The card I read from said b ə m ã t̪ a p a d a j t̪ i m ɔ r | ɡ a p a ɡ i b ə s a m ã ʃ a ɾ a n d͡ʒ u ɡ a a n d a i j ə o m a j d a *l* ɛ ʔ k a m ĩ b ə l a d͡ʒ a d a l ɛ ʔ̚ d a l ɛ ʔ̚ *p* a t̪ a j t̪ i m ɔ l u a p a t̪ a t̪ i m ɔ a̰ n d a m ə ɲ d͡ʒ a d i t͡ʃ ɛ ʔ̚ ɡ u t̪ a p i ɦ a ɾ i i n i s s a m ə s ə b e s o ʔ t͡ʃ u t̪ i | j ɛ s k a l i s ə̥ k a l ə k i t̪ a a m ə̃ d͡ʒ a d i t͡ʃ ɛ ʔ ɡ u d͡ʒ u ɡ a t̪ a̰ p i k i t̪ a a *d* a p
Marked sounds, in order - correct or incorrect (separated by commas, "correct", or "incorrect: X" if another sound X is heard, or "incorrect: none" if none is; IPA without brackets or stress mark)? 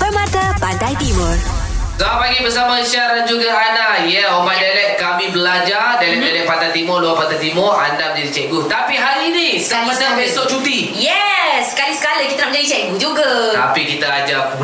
correct, correct, incorrect: d͡ʒ